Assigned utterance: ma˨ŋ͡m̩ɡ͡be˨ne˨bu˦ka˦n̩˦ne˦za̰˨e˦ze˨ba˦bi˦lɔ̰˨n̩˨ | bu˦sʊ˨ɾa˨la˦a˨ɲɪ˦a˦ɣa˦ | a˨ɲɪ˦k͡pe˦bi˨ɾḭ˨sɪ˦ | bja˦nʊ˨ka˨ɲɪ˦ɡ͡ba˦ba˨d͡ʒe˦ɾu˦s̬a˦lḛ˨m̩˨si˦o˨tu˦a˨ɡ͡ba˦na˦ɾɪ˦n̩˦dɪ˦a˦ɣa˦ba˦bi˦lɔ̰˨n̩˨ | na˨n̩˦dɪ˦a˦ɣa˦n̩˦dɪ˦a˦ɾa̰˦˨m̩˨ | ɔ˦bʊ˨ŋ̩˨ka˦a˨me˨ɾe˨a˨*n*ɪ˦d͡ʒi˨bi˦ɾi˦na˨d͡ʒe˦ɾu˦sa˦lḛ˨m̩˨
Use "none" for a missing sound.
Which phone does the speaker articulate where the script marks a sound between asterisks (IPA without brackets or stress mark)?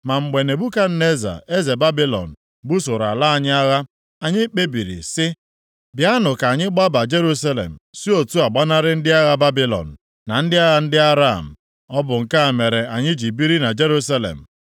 ɲ